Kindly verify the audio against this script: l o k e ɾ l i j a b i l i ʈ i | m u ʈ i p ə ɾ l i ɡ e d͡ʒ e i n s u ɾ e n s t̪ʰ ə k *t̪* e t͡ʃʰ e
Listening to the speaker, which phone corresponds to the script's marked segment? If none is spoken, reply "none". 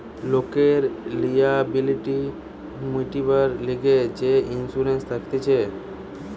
t̪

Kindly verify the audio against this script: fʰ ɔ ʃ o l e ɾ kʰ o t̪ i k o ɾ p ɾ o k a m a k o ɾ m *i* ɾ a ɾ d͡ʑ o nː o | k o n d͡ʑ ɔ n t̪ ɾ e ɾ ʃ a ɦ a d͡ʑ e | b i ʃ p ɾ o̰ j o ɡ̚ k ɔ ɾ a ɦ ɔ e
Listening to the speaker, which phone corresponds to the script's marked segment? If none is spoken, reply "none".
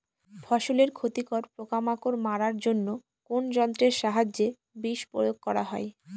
a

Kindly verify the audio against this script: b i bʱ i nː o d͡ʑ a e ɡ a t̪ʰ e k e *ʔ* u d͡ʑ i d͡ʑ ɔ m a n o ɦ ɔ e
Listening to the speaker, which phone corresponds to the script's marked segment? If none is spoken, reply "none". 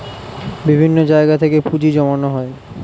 p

